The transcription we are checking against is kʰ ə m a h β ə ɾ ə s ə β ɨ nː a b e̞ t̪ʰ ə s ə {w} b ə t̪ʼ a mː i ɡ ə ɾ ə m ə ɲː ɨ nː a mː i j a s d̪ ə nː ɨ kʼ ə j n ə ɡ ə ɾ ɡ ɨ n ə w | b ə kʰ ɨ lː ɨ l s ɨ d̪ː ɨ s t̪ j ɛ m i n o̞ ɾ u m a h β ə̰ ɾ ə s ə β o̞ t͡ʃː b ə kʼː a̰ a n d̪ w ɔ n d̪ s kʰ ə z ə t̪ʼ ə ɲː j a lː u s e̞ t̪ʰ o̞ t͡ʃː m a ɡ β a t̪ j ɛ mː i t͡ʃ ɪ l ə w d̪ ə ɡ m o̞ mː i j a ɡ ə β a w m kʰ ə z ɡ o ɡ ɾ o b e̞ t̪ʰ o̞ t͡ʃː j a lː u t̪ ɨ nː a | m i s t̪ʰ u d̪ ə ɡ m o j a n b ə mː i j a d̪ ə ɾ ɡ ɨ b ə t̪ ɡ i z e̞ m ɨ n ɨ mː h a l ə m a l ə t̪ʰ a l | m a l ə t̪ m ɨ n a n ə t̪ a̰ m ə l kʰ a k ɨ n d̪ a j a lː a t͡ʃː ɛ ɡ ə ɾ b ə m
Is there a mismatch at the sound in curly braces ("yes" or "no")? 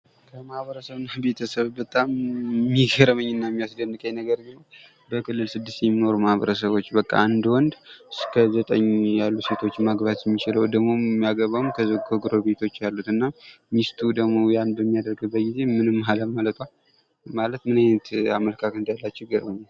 yes